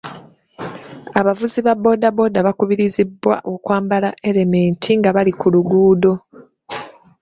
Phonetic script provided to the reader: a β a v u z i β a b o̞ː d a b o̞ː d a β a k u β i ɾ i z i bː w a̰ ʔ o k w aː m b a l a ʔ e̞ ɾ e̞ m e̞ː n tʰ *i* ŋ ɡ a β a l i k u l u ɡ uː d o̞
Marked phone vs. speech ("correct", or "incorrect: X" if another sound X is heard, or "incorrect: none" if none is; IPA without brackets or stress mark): correct